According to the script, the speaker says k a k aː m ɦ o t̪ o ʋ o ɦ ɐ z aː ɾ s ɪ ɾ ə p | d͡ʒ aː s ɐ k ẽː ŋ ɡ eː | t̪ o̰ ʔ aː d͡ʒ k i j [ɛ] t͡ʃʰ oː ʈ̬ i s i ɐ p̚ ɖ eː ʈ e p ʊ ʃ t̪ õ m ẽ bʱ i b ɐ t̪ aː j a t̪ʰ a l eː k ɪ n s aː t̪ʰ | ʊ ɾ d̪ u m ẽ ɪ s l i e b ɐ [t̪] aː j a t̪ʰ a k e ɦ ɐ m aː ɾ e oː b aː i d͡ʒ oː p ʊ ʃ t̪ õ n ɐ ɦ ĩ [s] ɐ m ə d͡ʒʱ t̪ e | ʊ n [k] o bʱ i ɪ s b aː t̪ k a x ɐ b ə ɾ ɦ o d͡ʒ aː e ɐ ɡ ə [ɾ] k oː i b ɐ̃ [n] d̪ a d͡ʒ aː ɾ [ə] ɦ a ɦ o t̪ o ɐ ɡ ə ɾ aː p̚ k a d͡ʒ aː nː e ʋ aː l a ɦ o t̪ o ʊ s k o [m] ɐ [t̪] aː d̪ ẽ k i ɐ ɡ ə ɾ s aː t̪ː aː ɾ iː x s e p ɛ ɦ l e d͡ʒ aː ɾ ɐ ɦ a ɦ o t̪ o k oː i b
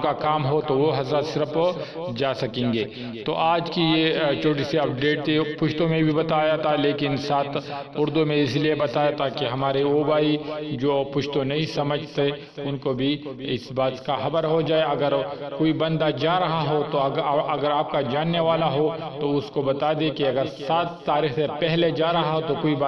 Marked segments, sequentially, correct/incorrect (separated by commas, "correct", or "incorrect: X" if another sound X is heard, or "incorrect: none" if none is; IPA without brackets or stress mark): incorrect: e, correct, correct, correct, correct, correct, incorrect: ɐ, incorrect: b, correct